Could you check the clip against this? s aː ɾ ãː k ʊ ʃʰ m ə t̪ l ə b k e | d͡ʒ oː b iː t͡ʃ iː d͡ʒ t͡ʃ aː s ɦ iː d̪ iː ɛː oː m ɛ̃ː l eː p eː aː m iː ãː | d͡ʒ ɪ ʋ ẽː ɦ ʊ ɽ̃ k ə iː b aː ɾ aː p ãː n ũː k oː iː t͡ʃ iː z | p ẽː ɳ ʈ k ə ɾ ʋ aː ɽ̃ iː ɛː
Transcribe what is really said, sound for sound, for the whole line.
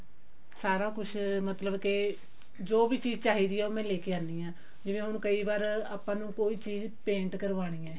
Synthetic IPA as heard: s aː ɾ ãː k ʊ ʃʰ m ə t̪ l ə b k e | d͡ʒ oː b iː t͡ʃ iː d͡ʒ t͡ʃ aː ɦ iː d̪ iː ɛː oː m ɛ̃ː l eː k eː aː n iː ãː | d͡ʒ ɪ ʋ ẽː ɦ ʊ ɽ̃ k ə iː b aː ɾ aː p ãː n ũː k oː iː t͡ʃ iː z | p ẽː ɳ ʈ k ə ɾ ʋ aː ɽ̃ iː ɛː